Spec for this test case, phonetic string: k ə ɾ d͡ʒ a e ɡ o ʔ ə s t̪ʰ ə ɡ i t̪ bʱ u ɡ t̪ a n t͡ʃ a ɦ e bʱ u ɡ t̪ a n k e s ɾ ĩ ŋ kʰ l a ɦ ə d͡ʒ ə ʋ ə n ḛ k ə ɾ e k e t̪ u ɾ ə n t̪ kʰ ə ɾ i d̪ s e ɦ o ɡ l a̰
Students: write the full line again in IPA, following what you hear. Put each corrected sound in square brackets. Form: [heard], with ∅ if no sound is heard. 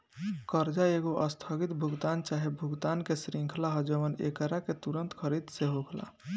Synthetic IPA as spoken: k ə ɾ d͡ʒ a e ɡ o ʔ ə s t̪ʰ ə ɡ i t̪ bʱ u ɡ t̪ a n t͡ʃ a ɦ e bʱ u ɡ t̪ a n k e s ɾ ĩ ŋ kʰ l a ɦ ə d͡ʒ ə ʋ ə n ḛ k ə ɾ [a] k e t̪ u ɾ ə n t̪ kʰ ə ɾ i d̪ s e ɦ o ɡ l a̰